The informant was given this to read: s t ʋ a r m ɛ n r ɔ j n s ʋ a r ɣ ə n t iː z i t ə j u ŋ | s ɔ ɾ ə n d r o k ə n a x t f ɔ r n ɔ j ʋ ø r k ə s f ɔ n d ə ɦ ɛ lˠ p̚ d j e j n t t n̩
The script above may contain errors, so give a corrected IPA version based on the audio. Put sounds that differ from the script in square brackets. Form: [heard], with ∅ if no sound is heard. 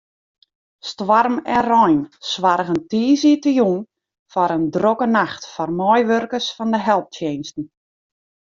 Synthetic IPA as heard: s t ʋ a r m ɛ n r ɔ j n s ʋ a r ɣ ə n t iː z i t ə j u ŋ | [f] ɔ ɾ ə n d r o k ə n a x t f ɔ r [m] ɔ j ʋ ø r k ə s f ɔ n d ə ɦ ɛ lˠ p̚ [t] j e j n [s] t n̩